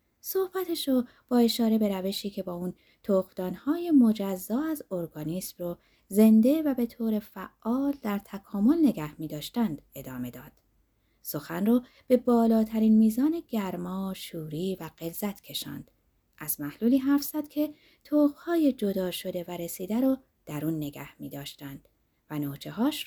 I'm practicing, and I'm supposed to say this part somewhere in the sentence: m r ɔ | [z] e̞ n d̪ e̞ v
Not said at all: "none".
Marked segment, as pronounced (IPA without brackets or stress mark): z